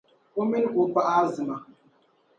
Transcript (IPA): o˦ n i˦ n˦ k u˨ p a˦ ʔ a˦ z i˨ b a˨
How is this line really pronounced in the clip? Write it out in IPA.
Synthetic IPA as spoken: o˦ m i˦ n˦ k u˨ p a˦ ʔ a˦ z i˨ m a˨